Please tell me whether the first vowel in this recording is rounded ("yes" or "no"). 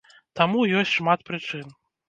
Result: no